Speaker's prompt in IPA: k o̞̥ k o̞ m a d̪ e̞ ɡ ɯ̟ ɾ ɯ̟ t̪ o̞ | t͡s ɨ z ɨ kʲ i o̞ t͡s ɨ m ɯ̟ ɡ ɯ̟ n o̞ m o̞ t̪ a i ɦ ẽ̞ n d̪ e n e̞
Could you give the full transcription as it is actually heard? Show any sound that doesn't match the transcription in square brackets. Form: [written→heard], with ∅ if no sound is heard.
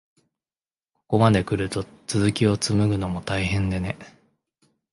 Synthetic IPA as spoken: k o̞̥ k o̞ m a d̪ e̞ [ɡ→k] ɯ̟ ɾ ɯ̟ t̪ o̞ | t͡s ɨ z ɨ kʲ i o̞ t͡s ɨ m ɯ̟ ɡ ɯ̟ n o̞ m o̞ t̪ a i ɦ ẽ̞ n d̪ e n e̞